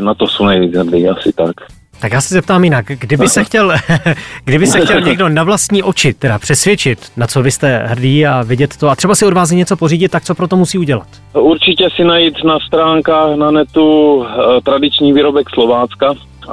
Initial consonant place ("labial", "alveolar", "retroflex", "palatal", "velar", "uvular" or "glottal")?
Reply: alveolar